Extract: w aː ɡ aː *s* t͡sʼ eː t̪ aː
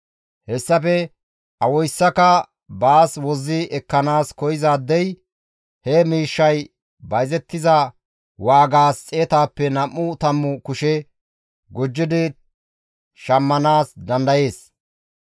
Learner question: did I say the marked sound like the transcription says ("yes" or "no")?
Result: yes